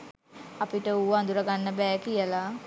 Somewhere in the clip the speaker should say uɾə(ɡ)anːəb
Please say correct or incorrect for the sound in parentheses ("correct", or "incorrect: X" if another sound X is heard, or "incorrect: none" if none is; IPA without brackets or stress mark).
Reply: correct